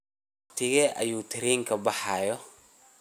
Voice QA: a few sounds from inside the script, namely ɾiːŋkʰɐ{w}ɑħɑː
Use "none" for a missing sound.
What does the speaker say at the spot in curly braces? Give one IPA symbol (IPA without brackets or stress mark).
b